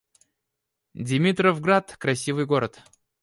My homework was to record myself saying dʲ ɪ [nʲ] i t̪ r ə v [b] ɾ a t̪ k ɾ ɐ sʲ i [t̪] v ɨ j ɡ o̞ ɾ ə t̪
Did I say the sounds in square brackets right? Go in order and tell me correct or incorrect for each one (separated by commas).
incorrect, incorrect, incorrect